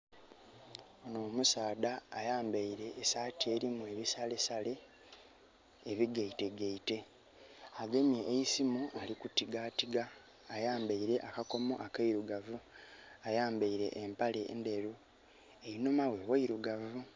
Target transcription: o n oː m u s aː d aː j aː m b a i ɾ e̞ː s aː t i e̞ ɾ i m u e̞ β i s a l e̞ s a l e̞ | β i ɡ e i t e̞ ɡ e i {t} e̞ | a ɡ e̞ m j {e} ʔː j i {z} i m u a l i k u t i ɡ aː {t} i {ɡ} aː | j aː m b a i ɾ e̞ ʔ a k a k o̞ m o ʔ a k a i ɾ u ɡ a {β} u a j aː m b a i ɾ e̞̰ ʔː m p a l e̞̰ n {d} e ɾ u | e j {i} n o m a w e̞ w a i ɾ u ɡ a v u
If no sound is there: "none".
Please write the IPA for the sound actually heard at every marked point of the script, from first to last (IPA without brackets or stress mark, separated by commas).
t, e, s, t, ɡ, v, d, i